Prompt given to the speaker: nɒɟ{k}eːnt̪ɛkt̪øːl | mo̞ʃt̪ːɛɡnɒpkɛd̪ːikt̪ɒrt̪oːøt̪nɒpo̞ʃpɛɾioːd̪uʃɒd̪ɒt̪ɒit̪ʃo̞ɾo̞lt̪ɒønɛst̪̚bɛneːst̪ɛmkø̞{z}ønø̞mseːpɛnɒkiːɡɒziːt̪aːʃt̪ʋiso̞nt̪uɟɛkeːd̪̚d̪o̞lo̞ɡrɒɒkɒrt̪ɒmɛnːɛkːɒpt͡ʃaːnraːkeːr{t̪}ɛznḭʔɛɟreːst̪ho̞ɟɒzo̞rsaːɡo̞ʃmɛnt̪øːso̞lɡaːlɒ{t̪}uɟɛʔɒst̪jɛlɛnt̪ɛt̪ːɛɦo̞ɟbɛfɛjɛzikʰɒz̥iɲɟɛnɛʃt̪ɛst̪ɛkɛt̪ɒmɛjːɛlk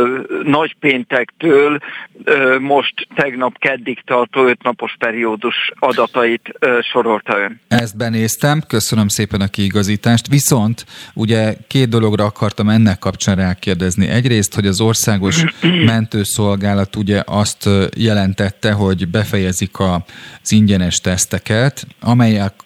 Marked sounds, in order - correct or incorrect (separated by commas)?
incorrect, incorrect, incorrect, correct